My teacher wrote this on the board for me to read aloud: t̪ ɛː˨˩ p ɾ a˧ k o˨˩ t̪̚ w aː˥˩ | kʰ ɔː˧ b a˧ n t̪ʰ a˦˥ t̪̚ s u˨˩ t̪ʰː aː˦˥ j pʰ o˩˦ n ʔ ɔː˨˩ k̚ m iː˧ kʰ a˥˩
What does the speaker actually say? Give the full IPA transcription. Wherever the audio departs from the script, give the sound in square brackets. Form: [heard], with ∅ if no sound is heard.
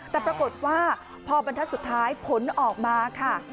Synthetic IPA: t̪ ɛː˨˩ p ɾ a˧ k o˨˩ t̪̚ w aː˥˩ | [pʰ] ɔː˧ b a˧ n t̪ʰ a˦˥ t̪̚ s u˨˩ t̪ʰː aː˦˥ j pʰ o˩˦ n ʔ ɔː˨˩ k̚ m [aː˧] kʰ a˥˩

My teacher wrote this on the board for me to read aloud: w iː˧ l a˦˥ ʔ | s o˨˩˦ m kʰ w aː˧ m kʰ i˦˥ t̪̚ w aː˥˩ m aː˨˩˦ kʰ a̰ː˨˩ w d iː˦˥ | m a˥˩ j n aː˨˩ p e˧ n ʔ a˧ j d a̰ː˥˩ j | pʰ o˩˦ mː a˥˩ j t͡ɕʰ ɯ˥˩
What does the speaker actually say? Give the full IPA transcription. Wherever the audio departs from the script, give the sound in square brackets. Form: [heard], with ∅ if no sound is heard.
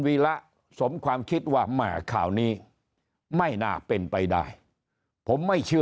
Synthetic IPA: w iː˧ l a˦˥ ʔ | s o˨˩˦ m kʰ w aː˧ m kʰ i˦˥ t̪̚ w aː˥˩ m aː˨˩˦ kʰ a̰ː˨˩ w [n] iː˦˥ | m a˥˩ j n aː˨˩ p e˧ n [p] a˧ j d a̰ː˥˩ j | pʰ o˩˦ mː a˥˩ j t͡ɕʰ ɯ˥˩

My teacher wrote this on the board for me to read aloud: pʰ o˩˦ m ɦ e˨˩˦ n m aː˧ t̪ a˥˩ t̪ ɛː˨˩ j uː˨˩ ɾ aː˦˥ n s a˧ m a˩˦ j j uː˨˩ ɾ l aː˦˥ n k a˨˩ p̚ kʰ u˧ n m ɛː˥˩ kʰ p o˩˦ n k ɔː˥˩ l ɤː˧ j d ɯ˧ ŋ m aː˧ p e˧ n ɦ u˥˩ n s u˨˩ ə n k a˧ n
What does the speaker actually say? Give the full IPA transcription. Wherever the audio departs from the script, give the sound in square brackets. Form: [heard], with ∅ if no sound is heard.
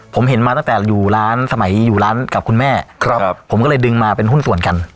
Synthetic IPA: pʰ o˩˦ m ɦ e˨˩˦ n m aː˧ t̪ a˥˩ t̪ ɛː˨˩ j uː˨˩ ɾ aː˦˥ n s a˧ m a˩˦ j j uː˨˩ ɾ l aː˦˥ n k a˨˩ p̚ kʰ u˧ n m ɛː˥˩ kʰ [pʰ] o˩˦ [m] k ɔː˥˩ l ɤː˧ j d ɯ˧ ŋ m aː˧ p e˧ n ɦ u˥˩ n s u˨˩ ə n k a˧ n

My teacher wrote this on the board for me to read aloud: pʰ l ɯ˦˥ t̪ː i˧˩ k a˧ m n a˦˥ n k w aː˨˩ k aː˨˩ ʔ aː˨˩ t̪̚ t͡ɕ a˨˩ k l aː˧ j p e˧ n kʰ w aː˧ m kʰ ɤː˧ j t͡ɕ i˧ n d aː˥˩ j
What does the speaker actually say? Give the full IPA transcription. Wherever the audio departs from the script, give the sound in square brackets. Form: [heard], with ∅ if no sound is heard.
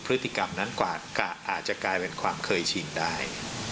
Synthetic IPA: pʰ [ɾ] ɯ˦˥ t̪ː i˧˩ k a˧ m n a˦˥ n k w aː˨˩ k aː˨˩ ʔ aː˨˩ t̪̚ t͡ɕ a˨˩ k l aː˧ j p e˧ n kʰ w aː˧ m kʰ ɤː˧ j [t͡ɕʰ] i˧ n d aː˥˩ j

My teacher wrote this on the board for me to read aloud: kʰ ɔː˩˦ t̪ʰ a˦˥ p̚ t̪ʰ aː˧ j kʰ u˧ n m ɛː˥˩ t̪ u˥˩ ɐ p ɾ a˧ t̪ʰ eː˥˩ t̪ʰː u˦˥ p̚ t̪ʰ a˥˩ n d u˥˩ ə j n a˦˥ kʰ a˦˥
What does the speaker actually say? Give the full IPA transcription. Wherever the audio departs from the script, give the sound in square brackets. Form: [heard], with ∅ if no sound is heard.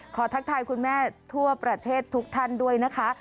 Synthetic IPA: kʰ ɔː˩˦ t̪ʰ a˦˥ [k̚] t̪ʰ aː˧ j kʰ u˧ n m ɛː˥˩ [t̪ʰ] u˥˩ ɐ p ɾ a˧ t̪ʰ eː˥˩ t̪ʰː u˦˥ [k̚] t̪ʰ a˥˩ n d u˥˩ ə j n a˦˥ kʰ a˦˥

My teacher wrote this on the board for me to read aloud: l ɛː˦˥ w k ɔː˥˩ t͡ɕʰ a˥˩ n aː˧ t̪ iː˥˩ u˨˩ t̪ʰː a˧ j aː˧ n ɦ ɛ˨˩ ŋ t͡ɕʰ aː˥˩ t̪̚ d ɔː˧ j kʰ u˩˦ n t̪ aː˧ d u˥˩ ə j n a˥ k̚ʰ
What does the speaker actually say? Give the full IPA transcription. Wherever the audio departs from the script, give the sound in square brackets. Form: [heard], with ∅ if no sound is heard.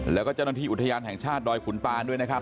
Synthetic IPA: l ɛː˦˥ w k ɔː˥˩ [t͡ɕ] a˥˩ n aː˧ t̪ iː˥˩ u˨˩ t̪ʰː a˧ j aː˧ n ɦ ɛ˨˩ ŋ t͡ɕʰ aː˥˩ t̪̚ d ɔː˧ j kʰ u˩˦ n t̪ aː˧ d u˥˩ ə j n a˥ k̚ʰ

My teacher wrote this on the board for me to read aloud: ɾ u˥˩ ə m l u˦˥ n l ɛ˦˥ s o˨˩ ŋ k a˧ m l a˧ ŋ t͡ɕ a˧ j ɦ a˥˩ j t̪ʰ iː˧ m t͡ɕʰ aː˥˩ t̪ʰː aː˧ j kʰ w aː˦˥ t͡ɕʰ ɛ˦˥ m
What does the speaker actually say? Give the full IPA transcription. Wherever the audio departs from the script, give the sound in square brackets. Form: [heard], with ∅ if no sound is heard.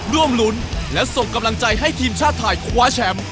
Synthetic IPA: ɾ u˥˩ ə m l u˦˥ n l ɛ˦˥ s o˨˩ ŋ k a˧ m l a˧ ŋ t͡ɕ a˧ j ɦ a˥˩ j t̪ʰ iː˧ m t͡ɕʰ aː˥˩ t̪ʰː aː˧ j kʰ w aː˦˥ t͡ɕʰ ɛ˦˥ m

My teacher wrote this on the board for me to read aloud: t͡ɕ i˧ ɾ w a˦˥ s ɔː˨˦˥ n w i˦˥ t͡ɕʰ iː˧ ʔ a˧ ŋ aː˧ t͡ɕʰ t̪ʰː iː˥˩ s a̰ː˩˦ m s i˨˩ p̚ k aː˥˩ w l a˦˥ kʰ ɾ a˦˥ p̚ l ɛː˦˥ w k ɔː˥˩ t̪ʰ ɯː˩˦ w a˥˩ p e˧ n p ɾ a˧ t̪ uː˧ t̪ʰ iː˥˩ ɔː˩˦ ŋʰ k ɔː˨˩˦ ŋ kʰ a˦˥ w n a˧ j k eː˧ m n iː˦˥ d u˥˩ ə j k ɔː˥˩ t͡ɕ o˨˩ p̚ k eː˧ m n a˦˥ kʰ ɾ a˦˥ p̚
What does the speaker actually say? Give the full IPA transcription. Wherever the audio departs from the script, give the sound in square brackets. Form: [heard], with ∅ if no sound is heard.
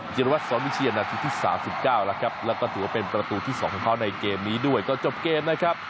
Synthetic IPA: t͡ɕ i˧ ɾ w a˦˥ s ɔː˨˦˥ n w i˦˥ t͡ɕʰ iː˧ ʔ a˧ [n] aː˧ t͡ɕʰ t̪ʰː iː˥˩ s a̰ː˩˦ m s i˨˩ p̚ k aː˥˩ w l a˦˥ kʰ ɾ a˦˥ p̚ l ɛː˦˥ w k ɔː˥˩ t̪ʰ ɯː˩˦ w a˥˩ p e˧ n p ɾ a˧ t̪ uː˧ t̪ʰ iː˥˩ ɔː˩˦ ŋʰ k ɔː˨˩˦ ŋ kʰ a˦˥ w n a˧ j k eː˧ m n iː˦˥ d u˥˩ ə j k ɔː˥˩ t͡ɕ o˨˩ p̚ k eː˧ m n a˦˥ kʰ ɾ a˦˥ p̚

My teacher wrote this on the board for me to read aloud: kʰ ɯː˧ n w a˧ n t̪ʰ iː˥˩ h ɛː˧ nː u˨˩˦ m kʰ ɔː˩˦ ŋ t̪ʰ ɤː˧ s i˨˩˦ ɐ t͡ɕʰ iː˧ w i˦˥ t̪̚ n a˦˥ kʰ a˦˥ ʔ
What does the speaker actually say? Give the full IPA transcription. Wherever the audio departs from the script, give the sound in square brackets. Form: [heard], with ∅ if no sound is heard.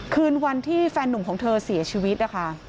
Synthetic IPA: kʰ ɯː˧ n w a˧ n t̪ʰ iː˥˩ [f] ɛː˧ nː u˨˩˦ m kʰ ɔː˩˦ ŋ t̪ʰ ɤː˧ s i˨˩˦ ɐ t͡ɕʰ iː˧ w i˦˥ t̪̚ n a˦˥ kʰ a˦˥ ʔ

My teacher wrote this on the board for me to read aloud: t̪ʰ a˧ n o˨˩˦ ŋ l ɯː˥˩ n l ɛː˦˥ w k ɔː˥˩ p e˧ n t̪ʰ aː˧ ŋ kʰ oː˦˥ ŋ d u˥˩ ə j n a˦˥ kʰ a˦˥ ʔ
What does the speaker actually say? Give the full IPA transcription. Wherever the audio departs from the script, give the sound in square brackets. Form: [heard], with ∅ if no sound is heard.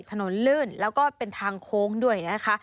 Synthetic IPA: t̪ʰ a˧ n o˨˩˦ [n] l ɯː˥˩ n l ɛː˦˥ w k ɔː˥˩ p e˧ n t̪ʰ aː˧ ŋ kʰ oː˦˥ ŋ d u˥˩ ə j n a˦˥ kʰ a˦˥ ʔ

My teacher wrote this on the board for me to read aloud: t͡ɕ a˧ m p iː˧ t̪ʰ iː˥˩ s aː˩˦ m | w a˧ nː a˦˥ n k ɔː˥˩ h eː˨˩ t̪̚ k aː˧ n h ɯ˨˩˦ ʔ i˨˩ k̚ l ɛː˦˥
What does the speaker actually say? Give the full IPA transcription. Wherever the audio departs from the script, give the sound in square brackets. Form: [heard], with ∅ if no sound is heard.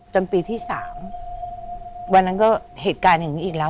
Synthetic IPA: t͡ɕ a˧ m p iː˧ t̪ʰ iː˥˩ s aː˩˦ m | w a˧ nː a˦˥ n k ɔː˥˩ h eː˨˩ t̪̚ k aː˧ n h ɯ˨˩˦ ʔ [iː˨˩] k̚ l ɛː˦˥

